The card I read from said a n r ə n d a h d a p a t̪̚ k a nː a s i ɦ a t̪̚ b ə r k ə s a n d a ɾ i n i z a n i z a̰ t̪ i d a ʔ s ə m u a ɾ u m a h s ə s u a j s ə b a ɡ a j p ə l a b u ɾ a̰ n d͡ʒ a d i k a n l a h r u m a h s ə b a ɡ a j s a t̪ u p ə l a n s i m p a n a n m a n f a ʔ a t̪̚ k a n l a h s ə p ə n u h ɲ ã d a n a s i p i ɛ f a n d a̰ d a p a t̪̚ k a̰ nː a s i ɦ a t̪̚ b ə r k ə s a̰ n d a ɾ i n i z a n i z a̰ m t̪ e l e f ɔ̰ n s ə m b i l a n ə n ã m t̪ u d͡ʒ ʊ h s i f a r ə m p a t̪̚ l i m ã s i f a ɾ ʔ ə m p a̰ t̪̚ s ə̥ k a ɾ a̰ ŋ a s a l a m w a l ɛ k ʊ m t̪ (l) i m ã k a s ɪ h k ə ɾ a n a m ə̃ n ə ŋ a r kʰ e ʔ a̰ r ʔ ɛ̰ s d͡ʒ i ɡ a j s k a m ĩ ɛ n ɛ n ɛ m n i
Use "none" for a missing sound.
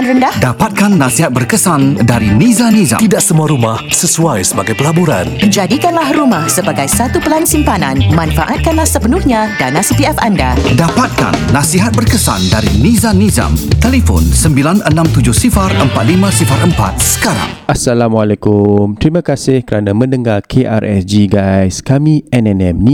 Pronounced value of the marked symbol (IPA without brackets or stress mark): ɾ